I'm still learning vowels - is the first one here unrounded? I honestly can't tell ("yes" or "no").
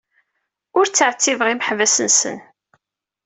no